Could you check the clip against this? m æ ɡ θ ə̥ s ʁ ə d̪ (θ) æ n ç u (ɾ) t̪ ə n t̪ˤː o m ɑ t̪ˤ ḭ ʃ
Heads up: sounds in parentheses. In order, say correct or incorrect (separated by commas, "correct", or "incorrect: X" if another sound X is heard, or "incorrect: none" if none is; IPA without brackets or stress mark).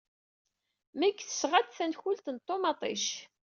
correct, incorrect: l